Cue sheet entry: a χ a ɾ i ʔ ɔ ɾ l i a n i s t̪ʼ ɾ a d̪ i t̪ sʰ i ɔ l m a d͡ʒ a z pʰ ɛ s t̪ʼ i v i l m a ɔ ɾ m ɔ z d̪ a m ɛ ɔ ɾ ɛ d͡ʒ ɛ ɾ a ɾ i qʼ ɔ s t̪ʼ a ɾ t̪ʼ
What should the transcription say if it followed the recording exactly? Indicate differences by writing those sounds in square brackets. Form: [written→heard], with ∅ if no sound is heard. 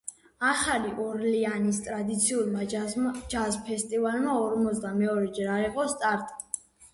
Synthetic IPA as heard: a χ a [ɾ→l] i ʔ ɔ ɾ l i a n i s t̪ʼ ɾ a d̪ i t̪ sʰ i [ɔ→u] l m a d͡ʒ a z pʰ ɛ s t̪ʼ i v [i→a] l m a ɔ ɾ m ɔ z d̪ a m ɛ ɔ ɾ ɛ d͡ʒ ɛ ɾ a ɾ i qʼ ɔ s t̪ʼ a ɾ t̪ʼ

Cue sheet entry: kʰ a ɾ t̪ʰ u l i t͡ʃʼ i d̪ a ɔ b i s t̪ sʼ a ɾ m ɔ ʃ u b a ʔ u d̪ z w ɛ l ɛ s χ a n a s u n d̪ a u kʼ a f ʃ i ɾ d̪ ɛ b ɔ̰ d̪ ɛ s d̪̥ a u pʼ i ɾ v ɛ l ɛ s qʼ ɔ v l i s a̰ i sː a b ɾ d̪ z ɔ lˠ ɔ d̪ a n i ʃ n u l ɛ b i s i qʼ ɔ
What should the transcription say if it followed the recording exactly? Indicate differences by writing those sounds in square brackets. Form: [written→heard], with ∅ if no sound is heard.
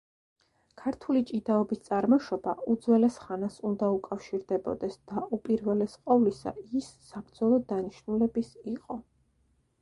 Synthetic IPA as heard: kʰ a ɾ t̪ʰ u l i t͡ʃʼ i d̪ a ɔ b i s t̪ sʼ a ɾ m ɔ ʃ [u→ɔ] b a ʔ u d̪ z w ɛ l ɛ s χ a n a s u n d̪ a u kʼ a f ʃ i ɾ d̪ ɛ b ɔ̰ d̪ ɛ s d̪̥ a u pʼ i ɾ v ɛ l ɛ s qʼ ɔ v l i s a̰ i sː a b ɾ d̪ z ɔ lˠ ɔ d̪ a n i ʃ n u l ɛ b i s i qʼ ɔ

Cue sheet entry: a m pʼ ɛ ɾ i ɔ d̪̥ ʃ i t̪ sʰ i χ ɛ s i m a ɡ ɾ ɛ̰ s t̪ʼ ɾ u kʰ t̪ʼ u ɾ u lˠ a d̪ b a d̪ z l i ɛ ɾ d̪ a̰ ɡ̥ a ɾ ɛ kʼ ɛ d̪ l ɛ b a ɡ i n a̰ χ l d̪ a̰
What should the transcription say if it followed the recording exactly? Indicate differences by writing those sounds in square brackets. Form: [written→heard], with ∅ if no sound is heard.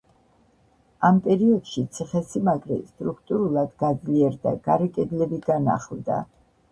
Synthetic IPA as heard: a m pʼ ɛ ɾ i ɔ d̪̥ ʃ i t̪ sʰ i χ ɛ s i m a ɡ ɾ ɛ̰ s t̪ʼ ɾ u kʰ t̪ʼ u ɾ u lˠ a d̪ [b→ɡ] a d̪ z l i ɛ ɾ d̪ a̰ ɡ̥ a ɾ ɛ kʼ ɛ d̪ l ɛ b [a→i] ɡ [i→a] n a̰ χ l d̪ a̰

